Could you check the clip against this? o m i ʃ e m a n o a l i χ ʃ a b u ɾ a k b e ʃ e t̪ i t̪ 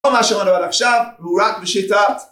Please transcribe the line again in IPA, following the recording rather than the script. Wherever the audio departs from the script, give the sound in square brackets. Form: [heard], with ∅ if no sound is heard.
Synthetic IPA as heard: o m [a] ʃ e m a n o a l [a] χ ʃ a [v] u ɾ a k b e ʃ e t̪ [a] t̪